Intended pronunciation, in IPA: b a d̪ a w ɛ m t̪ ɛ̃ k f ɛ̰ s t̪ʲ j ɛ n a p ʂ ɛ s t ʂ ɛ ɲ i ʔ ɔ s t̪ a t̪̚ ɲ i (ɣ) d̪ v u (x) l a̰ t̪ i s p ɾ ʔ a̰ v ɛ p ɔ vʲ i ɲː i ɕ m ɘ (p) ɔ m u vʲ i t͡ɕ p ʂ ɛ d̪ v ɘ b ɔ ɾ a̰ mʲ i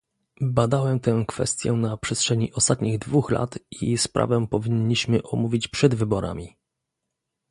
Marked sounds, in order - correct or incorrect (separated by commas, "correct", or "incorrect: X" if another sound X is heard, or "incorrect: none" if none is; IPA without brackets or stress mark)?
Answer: correct, correct, incorrect: ʔ